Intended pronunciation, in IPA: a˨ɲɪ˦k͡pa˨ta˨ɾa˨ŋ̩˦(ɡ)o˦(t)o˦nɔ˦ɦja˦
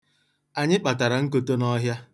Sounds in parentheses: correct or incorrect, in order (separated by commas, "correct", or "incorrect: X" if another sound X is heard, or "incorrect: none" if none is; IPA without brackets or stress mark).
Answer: incorrect: k, correct